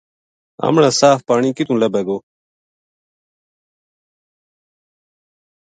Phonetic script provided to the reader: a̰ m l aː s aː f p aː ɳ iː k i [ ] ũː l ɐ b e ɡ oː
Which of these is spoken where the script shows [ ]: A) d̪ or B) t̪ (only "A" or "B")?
B